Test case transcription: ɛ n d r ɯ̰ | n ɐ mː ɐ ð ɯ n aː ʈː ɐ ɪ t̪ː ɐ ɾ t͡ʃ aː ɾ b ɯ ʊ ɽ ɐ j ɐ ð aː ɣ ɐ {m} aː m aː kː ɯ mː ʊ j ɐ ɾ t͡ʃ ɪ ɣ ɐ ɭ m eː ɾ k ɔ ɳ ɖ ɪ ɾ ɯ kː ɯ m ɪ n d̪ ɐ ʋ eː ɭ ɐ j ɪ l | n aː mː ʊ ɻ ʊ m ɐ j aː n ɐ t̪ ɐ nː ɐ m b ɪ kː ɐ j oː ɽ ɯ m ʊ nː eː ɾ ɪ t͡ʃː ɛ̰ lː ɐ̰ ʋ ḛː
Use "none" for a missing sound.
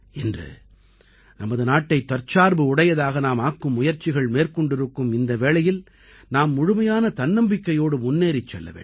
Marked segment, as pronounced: n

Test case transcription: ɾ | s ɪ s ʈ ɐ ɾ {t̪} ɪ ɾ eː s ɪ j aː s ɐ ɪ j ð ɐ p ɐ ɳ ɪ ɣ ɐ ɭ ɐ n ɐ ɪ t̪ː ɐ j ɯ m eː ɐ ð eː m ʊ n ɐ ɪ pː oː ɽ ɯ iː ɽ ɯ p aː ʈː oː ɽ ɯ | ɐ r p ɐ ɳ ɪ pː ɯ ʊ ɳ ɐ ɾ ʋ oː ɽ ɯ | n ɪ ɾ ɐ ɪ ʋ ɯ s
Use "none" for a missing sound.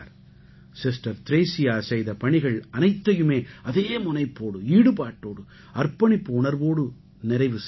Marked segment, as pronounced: t̪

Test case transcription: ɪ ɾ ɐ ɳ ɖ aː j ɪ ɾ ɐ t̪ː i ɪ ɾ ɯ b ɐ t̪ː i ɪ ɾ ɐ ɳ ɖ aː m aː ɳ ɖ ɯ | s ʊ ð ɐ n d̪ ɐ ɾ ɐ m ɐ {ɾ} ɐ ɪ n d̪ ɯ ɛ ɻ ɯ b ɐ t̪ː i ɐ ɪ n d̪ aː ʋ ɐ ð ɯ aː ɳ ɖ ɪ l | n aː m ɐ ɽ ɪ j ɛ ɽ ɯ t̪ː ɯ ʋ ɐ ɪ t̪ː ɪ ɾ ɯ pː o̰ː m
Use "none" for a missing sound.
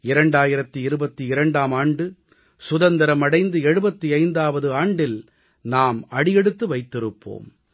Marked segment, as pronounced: ɽ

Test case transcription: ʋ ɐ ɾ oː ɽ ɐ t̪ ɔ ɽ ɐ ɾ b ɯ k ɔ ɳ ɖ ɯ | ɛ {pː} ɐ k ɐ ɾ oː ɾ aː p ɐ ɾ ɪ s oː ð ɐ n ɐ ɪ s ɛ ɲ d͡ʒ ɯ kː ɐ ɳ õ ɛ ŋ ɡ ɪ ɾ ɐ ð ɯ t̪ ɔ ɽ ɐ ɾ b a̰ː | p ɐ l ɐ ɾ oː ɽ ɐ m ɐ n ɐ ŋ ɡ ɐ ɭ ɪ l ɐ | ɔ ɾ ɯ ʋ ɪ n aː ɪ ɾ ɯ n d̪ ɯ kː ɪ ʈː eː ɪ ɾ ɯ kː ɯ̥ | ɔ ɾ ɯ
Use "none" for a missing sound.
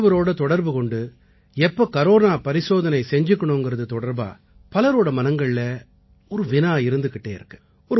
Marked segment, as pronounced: pː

